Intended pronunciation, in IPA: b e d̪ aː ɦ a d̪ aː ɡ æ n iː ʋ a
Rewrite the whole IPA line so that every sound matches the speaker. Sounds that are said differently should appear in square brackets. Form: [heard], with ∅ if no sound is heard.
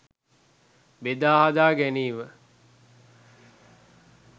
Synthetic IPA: b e d̪ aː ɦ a d̪ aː ɡ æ n iː ʋ [ə]